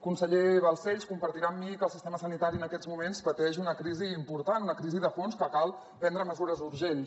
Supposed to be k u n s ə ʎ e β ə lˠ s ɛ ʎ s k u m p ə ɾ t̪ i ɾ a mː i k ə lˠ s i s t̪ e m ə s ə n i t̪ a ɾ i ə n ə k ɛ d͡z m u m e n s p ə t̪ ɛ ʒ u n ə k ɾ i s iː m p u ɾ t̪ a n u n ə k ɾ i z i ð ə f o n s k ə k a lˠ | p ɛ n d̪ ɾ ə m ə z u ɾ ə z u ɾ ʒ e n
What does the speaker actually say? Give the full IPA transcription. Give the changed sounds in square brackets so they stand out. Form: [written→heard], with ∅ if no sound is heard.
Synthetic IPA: k u n s ə ʎ e β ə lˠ s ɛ ʎ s k u m p ə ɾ t̪ i ɾ a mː i k ə lˠ s i s t̪ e m ə s ə n i t̪ a ɾ i ə n ə k ɛ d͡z m u m e n s p ə t̪ ɛ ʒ u n ə k ɾ i [s→z] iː m p u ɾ t̪ a n u n ə k ɾ i z i ð ə f o n s k ə k a lˠ | p ɛ n d̪ ɾ ə m ə z u ɾ ə z u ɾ ʒ e n